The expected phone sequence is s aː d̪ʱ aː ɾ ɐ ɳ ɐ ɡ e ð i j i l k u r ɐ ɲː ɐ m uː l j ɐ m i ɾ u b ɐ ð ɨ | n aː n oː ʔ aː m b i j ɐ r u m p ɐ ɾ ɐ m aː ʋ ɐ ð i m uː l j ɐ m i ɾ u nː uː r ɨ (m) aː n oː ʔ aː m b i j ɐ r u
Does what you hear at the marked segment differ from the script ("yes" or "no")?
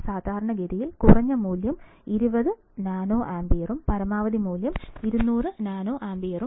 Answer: yes